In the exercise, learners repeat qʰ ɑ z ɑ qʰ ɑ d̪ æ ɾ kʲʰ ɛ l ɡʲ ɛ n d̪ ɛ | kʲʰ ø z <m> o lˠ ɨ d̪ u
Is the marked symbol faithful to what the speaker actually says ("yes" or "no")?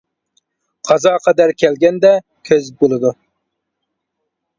no